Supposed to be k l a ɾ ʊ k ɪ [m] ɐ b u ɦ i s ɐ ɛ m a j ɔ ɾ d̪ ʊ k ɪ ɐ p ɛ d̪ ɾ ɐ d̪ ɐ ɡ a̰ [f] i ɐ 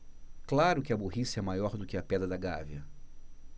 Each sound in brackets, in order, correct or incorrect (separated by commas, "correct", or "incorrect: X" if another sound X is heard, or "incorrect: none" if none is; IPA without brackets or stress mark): incorrect: none, incorrect: v